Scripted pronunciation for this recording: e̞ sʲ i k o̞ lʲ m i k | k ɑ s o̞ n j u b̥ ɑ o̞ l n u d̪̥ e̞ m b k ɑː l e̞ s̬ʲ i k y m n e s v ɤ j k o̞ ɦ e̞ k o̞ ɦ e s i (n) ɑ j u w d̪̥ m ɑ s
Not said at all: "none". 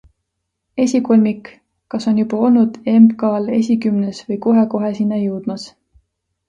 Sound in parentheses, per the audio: nː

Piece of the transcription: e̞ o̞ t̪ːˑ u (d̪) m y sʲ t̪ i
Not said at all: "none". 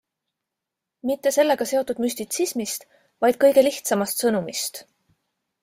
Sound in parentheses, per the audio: d̪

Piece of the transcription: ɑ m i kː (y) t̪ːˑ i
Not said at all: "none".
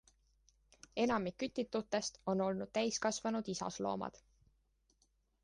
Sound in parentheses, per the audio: y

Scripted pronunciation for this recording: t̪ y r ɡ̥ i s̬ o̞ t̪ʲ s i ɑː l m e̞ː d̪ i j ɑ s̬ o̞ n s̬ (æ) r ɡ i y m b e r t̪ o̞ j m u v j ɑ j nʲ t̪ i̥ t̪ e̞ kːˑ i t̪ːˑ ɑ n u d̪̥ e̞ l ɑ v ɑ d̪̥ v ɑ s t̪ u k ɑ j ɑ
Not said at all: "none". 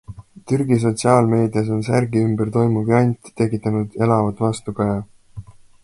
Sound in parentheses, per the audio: æ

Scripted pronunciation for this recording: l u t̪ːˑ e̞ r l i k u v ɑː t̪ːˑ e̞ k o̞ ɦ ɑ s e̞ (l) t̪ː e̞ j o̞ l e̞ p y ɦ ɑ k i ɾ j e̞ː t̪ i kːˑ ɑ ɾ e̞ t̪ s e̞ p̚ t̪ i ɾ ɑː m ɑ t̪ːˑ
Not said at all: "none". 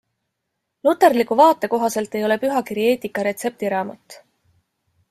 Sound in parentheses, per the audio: l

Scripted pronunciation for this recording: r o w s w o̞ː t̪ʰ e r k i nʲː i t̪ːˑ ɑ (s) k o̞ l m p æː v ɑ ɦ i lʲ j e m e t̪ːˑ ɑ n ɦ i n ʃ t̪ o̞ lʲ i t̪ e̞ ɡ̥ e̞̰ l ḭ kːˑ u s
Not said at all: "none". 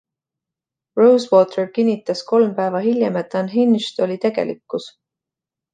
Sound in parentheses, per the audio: s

